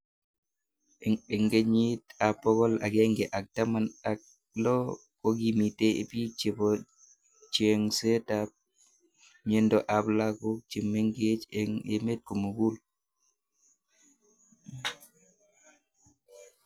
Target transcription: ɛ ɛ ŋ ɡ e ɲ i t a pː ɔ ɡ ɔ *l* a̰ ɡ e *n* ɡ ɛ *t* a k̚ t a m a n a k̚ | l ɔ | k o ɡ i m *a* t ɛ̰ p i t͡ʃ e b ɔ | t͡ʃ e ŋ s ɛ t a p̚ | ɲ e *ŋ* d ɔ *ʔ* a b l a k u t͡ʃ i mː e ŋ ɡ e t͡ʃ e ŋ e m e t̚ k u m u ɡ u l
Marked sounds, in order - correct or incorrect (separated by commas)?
correct, incorrect, incorrect, incorrect, incorrect, correct